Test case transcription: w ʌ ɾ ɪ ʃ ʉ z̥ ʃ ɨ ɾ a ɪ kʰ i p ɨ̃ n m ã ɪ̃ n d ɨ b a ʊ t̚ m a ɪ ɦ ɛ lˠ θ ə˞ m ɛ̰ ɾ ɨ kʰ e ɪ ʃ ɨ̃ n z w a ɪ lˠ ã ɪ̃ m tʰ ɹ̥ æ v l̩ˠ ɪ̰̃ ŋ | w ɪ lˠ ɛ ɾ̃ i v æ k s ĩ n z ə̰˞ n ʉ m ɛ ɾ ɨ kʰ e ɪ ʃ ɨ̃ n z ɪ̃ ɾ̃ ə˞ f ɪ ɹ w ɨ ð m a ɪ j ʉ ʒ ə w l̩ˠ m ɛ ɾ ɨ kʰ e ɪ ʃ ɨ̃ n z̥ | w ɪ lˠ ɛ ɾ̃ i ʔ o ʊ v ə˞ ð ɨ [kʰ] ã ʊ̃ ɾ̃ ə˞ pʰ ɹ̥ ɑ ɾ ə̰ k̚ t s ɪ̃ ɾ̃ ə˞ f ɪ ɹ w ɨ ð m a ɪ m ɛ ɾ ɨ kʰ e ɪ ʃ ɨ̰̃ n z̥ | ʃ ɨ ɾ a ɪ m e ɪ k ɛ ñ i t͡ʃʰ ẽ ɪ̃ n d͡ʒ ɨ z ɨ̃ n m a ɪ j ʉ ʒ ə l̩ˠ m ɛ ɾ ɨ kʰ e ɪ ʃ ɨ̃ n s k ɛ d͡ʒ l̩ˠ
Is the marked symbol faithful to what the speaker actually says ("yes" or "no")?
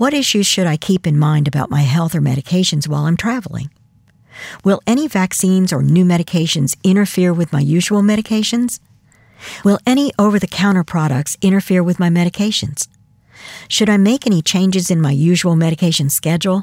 yes